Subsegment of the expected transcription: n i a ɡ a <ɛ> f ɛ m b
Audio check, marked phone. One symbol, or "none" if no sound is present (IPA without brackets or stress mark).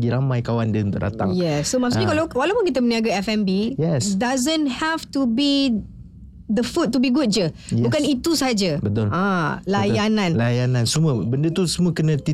ɛ